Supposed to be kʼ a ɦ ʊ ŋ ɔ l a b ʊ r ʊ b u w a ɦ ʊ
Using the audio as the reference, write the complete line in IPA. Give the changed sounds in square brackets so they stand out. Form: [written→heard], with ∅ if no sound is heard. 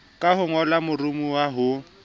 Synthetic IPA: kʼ a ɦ ʊ ŋ ɔ l a [b→m] ʊ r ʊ [b→m] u w a ɦ ʊ